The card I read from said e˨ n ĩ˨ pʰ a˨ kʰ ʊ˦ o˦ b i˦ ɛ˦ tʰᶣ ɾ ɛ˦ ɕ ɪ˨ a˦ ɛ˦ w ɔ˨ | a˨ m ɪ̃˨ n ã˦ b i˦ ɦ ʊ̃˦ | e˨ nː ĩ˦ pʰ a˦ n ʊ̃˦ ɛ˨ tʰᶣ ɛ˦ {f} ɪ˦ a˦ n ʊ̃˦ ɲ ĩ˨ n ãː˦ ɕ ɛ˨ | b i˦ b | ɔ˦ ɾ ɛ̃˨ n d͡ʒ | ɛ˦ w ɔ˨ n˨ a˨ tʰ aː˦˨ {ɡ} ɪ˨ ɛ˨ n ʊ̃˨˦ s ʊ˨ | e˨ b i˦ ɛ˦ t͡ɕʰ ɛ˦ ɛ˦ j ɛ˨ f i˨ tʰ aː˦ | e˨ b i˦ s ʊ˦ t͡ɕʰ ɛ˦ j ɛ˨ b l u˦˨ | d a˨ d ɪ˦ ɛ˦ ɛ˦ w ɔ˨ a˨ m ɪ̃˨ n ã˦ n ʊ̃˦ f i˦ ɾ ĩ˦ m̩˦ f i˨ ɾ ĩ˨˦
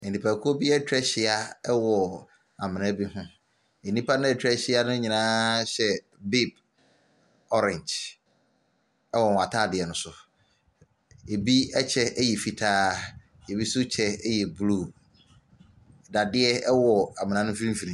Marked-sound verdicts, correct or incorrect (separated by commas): incorrect, incorrect